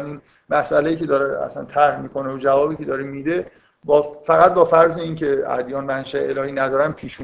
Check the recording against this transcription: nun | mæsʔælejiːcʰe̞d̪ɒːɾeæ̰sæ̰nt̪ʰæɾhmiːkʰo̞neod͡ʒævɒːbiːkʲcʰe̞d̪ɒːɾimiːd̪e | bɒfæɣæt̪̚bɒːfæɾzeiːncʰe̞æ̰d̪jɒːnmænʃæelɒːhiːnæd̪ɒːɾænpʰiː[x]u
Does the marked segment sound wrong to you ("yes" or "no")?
yes